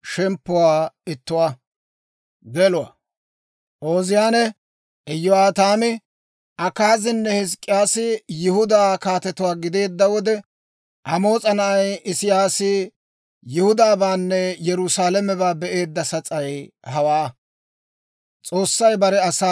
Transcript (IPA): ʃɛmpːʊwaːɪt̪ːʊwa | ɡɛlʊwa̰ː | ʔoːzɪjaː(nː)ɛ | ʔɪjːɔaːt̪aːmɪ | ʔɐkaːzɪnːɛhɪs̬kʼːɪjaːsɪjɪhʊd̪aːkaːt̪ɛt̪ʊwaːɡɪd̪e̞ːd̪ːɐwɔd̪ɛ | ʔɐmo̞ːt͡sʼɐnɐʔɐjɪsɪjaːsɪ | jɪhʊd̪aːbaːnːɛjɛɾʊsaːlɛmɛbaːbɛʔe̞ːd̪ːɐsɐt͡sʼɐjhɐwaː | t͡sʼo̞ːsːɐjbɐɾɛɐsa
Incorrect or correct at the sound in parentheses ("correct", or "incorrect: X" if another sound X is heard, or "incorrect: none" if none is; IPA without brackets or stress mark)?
incorrect: n